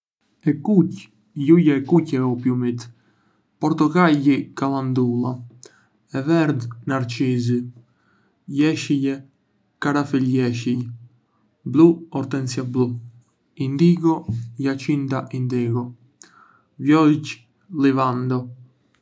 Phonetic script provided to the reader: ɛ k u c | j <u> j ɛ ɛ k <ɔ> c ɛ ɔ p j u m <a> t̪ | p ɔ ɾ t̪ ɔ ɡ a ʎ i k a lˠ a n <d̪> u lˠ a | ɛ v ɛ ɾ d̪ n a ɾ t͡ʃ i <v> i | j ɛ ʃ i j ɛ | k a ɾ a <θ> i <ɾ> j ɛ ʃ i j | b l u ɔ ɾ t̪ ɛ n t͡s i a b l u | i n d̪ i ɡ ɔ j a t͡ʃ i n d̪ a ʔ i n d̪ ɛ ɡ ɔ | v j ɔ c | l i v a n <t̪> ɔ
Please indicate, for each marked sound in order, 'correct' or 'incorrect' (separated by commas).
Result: correct, incorrect, incorrect, correct, incorrect, incorrect, incorrect, incorrect